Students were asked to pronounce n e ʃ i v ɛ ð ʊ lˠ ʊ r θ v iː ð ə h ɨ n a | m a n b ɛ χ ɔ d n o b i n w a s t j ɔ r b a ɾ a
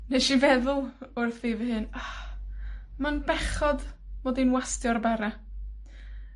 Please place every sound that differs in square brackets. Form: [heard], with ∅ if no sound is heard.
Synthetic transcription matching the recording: n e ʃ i v ɛ ð ʊ lˠ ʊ r θ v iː [v] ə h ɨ n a | m a n b ɛ χ ɔ d [m] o [d] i n w a s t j ɔ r b a ɾ a

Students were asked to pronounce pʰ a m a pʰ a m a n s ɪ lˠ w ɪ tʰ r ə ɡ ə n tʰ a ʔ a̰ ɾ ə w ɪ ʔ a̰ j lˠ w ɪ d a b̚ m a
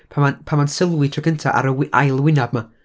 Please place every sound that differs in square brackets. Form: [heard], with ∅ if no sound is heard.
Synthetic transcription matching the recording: pʰ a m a pʰ a m a n s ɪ lˠ w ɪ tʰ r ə ɡ ə n tʰ a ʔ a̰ ɾ ə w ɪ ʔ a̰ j lˠ w ɪ [n] a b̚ m a

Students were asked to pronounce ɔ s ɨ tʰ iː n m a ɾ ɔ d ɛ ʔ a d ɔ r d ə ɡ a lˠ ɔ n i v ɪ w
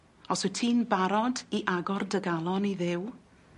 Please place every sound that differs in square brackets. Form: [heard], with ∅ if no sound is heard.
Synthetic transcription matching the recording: ɔ s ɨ tʰ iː n [b] a ɾ ɔ d [i] ʔ a [ɡ] ɔ r d ə ɡ a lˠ ɔ n i [ð] ɪ w

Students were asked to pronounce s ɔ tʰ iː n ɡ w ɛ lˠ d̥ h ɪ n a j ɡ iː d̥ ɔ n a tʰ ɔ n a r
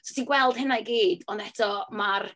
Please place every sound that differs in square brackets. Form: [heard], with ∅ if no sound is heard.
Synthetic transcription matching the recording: s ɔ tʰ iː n ɡ w ɛ lˠ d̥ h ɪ n a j ɡ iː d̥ ɔ n [ɛ] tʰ ɔ [m] a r

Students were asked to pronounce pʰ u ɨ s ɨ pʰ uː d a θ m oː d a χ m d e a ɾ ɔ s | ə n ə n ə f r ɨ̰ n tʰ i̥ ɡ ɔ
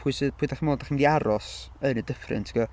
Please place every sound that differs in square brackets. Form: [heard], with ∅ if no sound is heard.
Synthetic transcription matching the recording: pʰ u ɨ s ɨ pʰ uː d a [χ] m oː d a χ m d [i] a ɾ ɔ s | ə n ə [d] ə f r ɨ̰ n tʰ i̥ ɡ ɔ

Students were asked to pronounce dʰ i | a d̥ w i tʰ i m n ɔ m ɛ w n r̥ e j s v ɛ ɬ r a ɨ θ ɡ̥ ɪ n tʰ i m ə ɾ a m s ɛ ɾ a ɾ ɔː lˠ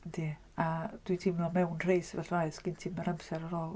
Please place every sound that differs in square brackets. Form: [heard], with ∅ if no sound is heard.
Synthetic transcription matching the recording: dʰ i | a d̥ w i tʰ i m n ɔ m ɛ w n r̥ e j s v ɛ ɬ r a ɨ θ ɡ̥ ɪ n tʰ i m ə ɾ a m s ɛ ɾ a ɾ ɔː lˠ

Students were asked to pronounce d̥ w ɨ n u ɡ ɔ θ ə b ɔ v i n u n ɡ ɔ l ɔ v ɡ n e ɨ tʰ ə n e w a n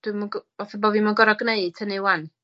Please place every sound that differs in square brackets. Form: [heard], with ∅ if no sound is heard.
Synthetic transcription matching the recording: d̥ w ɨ [m] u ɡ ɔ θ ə b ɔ v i [m] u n ɡ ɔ [ɾ] ɔ [∅] ɡ n e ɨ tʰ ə n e w a n

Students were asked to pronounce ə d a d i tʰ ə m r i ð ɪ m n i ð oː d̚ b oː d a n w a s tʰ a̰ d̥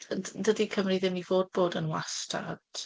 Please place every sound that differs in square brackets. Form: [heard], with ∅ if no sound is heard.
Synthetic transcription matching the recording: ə d [ə] d i [kʰ] ə m r i ð ɪ m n i [v] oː d̚ b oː d [ə] n w a s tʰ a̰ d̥

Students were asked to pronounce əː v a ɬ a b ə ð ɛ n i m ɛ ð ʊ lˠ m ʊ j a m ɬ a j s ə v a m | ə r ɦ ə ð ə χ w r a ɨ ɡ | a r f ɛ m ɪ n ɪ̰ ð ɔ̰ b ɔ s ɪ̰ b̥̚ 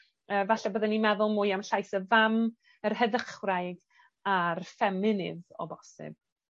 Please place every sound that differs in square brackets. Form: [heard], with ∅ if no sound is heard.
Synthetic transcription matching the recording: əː v a ɬ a b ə ð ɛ n i m ɛ ð ʊ lˠ m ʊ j a m ɬ a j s ə v a m | ə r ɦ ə ð ə χ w r a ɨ ɡ | a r f ɛ m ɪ n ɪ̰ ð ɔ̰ b ɔ s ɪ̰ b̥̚

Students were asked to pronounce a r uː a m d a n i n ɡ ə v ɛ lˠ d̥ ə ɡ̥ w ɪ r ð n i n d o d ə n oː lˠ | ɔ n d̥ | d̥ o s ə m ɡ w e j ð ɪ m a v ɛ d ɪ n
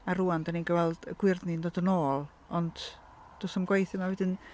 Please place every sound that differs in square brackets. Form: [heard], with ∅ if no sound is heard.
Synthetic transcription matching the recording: a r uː a [n] d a n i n ɡ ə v ɛ lˠ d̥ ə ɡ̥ w ɪ r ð n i n d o d ə n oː lˠ | ɔ n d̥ | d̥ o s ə m ɡ w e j [θ] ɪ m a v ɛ d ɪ n

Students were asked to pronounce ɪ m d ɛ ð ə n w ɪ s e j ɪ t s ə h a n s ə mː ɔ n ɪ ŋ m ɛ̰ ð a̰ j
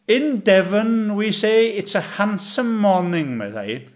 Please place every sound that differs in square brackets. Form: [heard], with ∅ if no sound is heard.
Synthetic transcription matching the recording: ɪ [n] d ɛ [v] ə n w [i] s e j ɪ t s ə h a n s ə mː ɔ n ɪ ŋ m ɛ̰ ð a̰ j

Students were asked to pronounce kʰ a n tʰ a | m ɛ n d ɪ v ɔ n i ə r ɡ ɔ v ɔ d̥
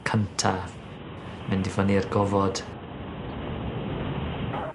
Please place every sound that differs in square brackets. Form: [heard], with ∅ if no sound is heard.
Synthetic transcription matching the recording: kʰ [ə] n tʰ a | m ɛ n d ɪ v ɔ n i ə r ɡ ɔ v ɔ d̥

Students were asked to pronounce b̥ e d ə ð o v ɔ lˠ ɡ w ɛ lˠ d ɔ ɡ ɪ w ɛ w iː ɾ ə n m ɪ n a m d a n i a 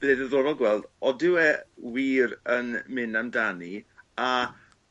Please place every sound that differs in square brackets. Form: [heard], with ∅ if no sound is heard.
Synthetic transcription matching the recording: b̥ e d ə ð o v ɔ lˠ ɡ w ɛ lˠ d ɔ [d] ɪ w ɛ w iː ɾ ə n m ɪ n a m d a n i a

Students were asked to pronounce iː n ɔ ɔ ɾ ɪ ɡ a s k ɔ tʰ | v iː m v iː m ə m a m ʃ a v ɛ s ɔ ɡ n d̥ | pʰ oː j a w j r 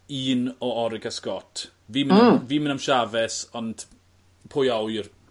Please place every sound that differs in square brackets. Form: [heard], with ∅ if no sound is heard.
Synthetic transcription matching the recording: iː n ɔ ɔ ɾ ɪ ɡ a s k ɔ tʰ | v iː m v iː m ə [n] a m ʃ a v ɛ s ɔ [∅] n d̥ | pʰ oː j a w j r

